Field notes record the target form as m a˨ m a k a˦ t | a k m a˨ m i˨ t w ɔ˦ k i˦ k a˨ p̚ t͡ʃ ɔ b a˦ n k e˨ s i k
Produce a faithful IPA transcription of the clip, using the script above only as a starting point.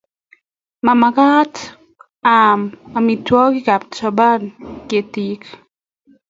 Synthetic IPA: m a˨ m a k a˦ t | a m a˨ m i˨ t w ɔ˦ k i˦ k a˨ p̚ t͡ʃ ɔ b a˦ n k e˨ t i k

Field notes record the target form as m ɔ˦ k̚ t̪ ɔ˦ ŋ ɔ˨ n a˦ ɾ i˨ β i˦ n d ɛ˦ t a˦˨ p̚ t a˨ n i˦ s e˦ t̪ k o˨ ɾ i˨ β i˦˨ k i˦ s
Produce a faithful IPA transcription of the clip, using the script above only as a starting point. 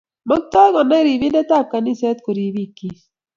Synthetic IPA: m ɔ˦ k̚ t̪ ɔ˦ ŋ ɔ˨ n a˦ ɾ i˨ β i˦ n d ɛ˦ t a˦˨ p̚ k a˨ n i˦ s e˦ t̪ k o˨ ɾ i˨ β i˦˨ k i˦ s

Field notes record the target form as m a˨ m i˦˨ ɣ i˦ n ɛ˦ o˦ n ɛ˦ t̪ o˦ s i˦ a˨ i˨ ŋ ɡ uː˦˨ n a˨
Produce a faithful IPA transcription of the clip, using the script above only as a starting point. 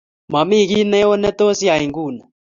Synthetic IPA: m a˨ m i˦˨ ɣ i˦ n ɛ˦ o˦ n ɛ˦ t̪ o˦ s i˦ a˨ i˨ ŋ ɡ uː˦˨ n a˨

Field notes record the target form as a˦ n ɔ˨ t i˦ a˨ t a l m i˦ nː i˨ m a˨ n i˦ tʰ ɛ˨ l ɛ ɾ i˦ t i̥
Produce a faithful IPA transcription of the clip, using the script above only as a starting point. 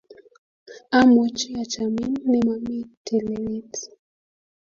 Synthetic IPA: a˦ m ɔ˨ t͡ʃ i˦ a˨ t͡ʃ a m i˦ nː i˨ m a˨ m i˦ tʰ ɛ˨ l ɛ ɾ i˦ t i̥

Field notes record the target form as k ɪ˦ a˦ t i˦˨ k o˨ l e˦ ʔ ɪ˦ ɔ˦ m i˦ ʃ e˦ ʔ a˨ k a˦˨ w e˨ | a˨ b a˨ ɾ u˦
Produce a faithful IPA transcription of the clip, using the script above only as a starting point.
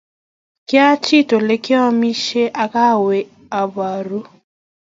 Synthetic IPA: k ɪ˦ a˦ t͡ʃ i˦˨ t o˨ l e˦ k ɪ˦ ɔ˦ m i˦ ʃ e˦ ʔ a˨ k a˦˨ w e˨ | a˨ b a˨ ɾ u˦

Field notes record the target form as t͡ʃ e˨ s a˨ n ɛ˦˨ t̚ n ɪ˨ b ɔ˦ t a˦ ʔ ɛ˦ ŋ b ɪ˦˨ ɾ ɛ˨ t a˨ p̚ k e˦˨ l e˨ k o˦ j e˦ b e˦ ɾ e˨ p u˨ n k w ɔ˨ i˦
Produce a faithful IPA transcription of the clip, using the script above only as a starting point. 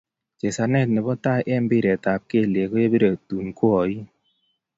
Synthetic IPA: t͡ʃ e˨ s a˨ n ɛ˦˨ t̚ n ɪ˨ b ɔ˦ t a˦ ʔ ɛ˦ m b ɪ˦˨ ɾ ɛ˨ t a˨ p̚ k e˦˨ l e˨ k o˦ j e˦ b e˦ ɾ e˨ t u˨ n k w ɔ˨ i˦

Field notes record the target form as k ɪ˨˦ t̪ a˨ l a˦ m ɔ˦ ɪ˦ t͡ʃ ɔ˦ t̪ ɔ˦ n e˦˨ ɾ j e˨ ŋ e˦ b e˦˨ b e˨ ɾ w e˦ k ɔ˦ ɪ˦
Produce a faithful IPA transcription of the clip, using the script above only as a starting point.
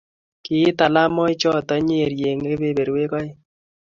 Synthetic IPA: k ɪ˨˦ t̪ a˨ l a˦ m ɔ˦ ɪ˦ t͡ʃ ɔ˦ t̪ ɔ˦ ɲ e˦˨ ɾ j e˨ ŋ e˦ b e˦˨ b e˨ ɾ w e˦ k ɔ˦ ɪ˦

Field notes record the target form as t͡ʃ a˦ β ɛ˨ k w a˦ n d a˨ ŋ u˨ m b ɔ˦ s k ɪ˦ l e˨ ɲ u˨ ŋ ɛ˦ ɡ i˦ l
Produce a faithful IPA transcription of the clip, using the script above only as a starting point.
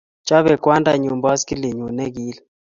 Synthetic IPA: t͡ʃ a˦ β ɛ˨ k w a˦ n d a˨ ɲ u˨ m b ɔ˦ s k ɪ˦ l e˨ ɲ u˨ n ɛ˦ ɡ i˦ l

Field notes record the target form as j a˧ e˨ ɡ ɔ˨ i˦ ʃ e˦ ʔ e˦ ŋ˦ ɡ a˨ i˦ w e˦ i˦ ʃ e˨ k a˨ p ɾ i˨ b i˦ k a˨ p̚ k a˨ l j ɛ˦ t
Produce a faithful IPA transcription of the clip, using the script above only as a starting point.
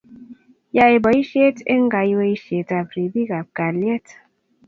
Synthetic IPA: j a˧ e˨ b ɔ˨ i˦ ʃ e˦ t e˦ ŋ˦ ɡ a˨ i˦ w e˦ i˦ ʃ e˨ t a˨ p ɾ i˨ b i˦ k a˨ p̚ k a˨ l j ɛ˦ t

